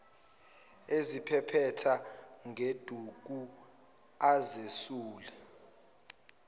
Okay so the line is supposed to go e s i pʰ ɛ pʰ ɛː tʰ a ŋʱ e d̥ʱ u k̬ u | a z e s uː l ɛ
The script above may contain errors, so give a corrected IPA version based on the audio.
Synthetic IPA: e z i pʰ ɛ pʰ ɛ tʰ a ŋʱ e d̥ʱ u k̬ u | a z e s uː l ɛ